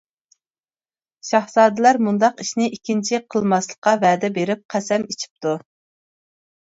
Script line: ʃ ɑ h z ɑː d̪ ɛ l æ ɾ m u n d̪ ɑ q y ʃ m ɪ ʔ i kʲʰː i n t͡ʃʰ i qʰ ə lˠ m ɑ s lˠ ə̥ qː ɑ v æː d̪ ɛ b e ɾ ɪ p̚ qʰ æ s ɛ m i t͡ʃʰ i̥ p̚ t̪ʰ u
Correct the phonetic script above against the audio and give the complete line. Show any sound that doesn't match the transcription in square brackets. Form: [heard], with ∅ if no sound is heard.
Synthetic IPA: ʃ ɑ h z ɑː d̪ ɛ l æ ɾ m u n d̪ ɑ q [i] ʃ [n] ɪ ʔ i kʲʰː i n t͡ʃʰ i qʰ ə lˠ m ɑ s lˠ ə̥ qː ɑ v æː d̪ ɛ b e ɾ ɪ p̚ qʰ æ s ɛ m i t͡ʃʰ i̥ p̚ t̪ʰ u